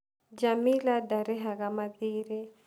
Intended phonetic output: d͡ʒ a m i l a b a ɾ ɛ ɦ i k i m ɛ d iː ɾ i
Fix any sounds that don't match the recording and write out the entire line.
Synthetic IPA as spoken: d͡ʒ a m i l a d a ɾ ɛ ɦ a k a m a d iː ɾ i